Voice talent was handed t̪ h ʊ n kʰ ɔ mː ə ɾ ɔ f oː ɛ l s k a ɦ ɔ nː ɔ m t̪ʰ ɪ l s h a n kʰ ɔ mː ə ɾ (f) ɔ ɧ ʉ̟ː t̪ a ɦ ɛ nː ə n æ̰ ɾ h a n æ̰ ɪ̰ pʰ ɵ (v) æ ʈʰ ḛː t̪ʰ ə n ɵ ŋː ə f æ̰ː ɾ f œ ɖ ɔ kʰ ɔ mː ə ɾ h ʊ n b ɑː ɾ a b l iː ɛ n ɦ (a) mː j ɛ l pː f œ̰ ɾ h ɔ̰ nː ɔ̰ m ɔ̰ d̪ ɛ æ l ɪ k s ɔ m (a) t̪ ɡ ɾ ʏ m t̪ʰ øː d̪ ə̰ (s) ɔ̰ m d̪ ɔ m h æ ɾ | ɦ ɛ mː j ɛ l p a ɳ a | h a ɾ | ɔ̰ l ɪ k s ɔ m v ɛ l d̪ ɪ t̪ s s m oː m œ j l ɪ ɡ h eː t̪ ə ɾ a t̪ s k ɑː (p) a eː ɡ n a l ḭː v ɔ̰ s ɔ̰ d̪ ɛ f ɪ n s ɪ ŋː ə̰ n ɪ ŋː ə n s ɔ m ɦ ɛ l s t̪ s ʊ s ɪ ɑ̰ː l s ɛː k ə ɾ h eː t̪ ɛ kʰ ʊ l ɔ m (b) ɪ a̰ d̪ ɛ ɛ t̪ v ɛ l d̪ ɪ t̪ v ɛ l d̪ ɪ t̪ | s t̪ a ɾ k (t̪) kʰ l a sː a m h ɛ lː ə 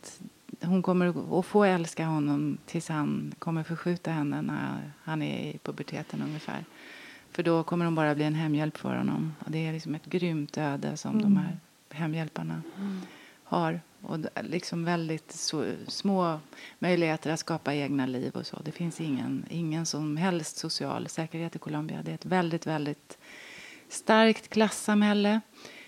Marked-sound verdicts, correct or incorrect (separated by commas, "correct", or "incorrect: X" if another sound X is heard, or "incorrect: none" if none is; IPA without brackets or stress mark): correct, incorrect: b, incorrect: ɛ, incorrect: ɛ, correct, correct, correct, correct